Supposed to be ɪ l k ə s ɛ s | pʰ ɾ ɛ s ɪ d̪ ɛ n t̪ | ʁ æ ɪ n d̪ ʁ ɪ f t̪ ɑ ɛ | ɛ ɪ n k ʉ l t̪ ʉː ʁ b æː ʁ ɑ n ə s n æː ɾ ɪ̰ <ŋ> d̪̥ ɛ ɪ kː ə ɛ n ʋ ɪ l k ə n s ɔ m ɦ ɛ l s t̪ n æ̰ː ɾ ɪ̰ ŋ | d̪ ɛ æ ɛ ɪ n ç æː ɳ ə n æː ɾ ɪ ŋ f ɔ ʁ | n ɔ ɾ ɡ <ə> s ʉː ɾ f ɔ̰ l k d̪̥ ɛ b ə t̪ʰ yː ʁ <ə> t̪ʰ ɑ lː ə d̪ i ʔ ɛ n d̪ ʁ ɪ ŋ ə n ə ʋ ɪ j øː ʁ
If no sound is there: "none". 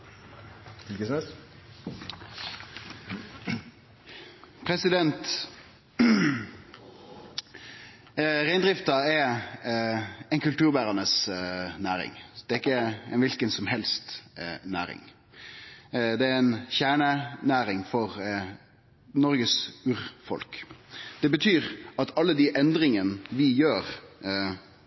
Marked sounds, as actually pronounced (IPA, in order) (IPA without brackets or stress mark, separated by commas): ŋ, ə, ɑ